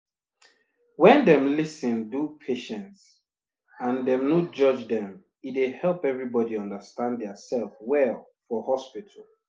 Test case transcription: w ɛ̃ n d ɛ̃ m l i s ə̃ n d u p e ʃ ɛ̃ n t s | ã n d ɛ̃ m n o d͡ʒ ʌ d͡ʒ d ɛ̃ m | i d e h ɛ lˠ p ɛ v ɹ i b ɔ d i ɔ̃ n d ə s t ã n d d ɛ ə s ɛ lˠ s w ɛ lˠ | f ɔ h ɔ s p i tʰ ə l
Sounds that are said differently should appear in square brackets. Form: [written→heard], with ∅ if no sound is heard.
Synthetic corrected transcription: w ɛ̃ n d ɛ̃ m l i s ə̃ n d u [p→pʰ] e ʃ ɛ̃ n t s | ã n d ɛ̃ m n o d͡ʒ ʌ d͡ʒ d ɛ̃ m | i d e h ɛ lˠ p ɛ v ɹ i b ɔ d i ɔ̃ n d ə s t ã n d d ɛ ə s ɛ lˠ [s→f] w ɛ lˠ | f ɔ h ɔ s p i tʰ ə l